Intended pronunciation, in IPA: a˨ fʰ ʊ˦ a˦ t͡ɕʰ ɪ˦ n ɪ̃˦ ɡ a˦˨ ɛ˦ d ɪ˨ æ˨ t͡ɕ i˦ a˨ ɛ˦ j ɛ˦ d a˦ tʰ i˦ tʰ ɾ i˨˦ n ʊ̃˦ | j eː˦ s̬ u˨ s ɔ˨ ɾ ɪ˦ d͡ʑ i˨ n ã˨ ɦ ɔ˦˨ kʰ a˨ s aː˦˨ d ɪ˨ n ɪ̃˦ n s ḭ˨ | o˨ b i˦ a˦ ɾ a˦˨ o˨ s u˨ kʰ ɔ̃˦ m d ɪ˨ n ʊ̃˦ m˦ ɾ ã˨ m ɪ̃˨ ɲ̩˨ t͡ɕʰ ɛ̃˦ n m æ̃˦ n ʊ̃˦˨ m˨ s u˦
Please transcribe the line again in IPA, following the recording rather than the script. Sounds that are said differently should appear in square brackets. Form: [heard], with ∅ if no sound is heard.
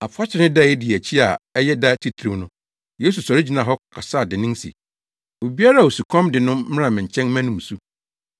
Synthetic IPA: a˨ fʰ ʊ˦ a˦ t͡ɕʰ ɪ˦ n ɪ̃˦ [d] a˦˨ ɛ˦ d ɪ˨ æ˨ [t͡ɕʰ] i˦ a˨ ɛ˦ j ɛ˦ d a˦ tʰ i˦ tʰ ɾ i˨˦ n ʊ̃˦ | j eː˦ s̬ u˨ s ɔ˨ ɾ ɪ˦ d͡ʑ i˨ n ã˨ ɦ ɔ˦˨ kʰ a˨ s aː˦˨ d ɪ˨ n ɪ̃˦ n s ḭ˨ | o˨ b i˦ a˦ ɾ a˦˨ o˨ s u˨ kʰ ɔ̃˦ m d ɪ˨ n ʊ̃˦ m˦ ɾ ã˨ m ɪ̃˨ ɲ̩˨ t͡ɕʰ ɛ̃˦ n m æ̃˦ n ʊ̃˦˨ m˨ s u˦